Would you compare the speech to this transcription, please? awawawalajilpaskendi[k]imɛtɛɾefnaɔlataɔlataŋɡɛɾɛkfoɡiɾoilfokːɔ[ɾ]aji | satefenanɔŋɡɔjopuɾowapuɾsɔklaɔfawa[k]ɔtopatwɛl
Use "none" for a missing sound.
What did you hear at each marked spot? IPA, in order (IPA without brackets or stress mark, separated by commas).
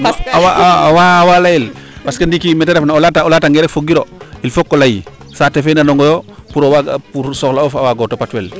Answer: k, l, ɡ